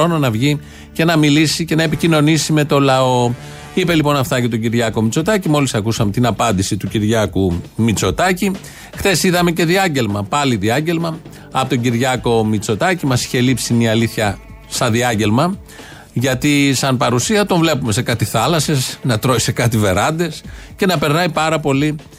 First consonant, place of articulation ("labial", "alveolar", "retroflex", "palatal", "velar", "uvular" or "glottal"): alveolar